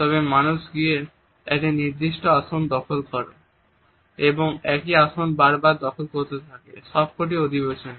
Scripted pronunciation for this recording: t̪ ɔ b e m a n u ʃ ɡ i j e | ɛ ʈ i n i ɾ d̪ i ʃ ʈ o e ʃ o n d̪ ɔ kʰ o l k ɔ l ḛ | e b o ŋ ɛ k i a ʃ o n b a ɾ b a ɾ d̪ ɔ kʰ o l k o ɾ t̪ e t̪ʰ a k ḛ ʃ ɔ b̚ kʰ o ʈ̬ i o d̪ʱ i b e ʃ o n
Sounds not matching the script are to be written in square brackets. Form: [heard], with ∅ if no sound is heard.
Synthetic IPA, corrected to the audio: t̪ ɔ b e m a n u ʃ ɡ i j e | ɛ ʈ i n i ɾ d̪ i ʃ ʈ o [a] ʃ o n d̪ ɔ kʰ o l k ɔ [ɾ] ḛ | e b o ŋ ɛ k i a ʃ o n b a ɾ b a ɾ d̪ ɔ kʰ o l k o ɾ t̪ e t̪ʰ a k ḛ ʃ ɔ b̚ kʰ o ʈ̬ i o d̪ʱ i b e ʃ o n